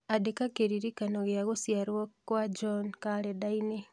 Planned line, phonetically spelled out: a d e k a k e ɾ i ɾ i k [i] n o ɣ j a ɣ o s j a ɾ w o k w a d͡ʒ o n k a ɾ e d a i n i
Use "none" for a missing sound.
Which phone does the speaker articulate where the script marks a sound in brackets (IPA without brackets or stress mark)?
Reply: a